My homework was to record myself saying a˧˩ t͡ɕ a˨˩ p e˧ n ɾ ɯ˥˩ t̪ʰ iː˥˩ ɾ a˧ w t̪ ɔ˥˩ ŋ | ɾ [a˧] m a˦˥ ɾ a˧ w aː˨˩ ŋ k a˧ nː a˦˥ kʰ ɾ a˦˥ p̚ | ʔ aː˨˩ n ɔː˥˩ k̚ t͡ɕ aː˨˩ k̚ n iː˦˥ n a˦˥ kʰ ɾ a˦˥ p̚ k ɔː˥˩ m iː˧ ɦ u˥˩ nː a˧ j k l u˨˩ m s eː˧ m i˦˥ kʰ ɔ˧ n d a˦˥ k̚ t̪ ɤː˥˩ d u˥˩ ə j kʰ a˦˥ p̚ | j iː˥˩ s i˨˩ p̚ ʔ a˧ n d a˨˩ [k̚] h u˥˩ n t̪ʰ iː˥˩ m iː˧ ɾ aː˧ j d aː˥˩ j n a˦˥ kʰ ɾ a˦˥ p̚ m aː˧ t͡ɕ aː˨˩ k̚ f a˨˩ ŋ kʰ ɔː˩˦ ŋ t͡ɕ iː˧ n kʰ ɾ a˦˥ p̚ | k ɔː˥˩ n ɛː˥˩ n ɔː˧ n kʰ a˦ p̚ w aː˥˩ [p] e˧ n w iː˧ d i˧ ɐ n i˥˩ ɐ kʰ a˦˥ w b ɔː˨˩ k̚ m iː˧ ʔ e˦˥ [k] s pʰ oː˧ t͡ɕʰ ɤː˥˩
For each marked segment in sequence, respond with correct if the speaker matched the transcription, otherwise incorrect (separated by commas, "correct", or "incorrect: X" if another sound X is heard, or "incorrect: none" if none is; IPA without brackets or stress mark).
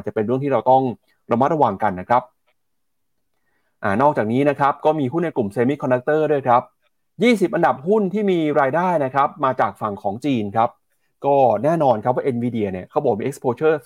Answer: correct, incorrect: p̚, incorrect: ʔ, correct